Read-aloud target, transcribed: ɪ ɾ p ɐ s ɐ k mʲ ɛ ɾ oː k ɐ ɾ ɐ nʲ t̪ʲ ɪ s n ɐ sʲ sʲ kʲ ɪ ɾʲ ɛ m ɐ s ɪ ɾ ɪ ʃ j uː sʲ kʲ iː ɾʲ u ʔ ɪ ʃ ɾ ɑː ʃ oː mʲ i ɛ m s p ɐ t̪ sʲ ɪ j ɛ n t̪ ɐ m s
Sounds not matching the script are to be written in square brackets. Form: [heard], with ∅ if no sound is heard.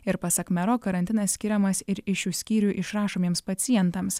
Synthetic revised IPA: ɪ ɾ p ɐ s ɐ k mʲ ɛ ɾ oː k ɐ ɾ ɐ nʲ t̪ʲ ɪ [∅] n ɐ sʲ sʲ kʲ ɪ ɾʲ ɛ m ɐ s ɪ ɾ ɪ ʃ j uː sʲ kʲ iː ɾʲ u ʔ ɪ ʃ ɾ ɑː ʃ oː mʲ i ɛ m s p ɐ t̪ sʲ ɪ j ɛ n t̪ ɐ m s

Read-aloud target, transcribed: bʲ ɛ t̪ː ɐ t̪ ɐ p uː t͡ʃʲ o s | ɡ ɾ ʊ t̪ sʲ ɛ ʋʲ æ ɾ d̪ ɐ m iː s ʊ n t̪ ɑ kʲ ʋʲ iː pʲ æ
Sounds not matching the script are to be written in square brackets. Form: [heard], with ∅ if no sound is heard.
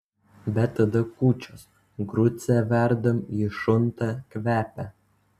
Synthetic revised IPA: bʲ ɛ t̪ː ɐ [d̪] ɐ [k] uː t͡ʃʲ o s | ɡ ɾ ʊ t̪ sʲ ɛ ʋʲ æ ɾ d̪ ɐ m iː [ʃ] ʊ n t̪ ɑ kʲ ʋʲ [æː] pʲ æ

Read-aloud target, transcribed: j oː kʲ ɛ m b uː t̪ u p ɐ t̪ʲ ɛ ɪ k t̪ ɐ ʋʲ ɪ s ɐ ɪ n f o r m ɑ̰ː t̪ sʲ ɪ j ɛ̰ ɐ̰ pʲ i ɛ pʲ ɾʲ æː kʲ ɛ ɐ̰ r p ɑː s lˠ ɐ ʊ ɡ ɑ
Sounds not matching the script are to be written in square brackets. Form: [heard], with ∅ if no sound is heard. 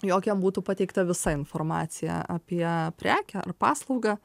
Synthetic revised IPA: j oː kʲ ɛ m b uː t̪ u p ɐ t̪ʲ ɛ ɪ k t̪ ɐ ʋʲ ɪ s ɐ ɪ n f o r m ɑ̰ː t̪ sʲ ɪ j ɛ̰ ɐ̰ pʲ i ɛ pʲ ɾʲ æː kʲ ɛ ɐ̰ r p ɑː s lˠ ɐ ʊ ɡ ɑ

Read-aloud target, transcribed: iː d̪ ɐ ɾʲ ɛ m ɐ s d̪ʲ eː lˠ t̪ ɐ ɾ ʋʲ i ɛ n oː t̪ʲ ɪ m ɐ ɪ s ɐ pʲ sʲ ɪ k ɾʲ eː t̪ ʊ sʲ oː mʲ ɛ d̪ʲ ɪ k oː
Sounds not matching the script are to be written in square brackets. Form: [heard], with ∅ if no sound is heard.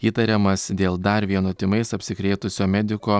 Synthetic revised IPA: iː [t̪] ɐ ɾʲ ɛ m ɐ s d̪ʲ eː lˠ [d̪] ɐ ɾ ʋʲ i ɛ n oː t̪ʲ ɪ m ɐ ɪ s ɐ pʲ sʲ ɪ k ɾʲ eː t̪ ʊ sʲ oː mʲ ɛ d̪ʲ ɪ k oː

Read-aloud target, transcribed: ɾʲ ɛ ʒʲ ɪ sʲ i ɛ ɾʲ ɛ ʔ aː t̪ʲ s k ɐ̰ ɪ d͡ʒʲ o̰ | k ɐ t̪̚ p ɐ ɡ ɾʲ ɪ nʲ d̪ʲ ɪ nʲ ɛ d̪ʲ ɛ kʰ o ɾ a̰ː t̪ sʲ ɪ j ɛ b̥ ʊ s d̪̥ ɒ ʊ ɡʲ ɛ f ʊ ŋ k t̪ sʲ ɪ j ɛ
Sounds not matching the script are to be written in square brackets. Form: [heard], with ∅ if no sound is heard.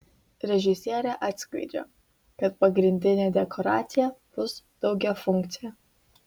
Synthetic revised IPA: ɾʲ ɛ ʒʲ ɪ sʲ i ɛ ɾʲ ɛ ʔ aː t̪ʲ s k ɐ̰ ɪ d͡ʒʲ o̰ | k ɐ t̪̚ p ɐ ɡ ɾʲ ɪ nʲ d̪ʲ ɪ nʲ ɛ d̪ʲ ɛ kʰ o ɾ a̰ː t̪ sʲ ɪ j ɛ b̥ ʊ s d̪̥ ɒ ʊ ɡʲ ɛ f ʊ ŋ k t̪ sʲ ɪ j ɛ

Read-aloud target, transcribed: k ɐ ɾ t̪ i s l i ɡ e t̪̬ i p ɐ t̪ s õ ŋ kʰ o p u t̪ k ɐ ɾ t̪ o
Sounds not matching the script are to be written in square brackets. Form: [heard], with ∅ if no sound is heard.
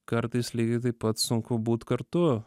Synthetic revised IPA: k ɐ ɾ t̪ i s l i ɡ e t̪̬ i p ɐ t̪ s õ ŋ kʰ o [b] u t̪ k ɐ ɾ t̪ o

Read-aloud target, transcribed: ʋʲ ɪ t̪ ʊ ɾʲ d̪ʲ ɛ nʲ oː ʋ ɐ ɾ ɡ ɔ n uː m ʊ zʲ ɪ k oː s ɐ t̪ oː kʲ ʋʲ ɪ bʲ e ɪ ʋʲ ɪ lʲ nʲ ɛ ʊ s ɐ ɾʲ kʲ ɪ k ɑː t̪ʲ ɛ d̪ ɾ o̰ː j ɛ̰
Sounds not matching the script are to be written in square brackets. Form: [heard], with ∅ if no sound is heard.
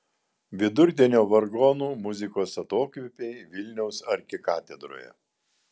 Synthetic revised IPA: ʋʲ ɪ [d̪] ʊ ɾʲ d̪ʲ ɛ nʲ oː ʋ ɐ ɾ ɡ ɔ n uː m ʊ zʲ ɪ k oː s ɐ t̪ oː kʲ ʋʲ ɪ [pʲ] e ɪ ʋʲ ɪ lʲ nʲ ɛ ʊ s ɐ ɾʲ kʲ ɪ k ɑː t̪ʲ ɛ d̪ ɾ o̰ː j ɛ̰

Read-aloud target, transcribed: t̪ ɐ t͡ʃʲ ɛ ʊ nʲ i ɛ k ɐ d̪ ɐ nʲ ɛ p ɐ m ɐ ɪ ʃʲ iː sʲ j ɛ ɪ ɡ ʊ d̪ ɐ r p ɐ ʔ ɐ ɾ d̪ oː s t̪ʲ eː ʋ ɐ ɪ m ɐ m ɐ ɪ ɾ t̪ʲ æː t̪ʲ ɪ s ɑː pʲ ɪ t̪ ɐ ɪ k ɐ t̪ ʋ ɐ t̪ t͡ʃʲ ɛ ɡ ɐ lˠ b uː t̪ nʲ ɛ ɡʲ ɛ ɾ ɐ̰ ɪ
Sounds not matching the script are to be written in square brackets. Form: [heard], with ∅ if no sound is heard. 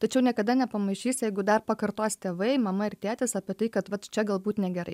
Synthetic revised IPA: t̪ ɐ t͡ʃʲ ɛ ʊ nʲ i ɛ k ɐ d̪ ɐ nʲ ɛ p ɐ m ɐ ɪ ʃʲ iː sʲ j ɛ ɪ ɡ ʊ d̪ ɐ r p ɐ [k] ɐ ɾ [t̪] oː s t̪ʲ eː ʋ ɐ ɪ m ɐ m ɐ ɪ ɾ t̪ʲ æː t̪ʲ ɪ s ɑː pʲ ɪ t̪ ɐ ɪ k ɐ t̪ ʋ ɐ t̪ t͡ʃʲ ɛ ɡ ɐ lˠ b uː t̪ nʲ ɛ ɡʲ ɛ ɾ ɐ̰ ɪ

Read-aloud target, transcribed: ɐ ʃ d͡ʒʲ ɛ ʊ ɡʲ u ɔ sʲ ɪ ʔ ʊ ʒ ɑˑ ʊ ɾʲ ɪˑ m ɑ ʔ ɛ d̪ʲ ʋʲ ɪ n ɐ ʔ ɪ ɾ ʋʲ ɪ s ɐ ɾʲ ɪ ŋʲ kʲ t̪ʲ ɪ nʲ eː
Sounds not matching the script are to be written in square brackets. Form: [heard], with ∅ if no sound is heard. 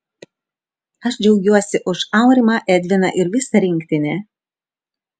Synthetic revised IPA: ɐ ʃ d͡ʒʲ ɛ ʊ ɡʲ u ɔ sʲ ɪ ʔ ʊ [ʃ] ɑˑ ʊ ɾʲ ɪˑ m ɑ ʔ ɛ d̪ʲ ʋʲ ɪ n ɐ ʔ ɪ ɾ ʋʲ ɪ s ɐ ɾʲ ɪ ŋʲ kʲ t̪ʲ ɪ nʲ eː

